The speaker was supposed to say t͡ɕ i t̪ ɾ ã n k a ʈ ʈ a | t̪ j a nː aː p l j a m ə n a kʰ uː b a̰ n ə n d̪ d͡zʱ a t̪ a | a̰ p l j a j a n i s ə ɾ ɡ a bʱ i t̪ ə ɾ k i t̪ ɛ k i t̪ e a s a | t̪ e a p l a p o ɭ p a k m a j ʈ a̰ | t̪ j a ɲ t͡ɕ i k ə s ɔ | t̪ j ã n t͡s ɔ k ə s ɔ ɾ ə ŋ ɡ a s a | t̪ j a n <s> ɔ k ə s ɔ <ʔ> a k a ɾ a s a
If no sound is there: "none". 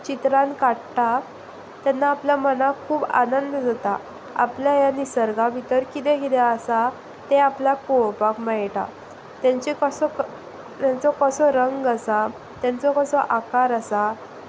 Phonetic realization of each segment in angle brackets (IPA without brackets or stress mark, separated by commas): t͡s, ʔ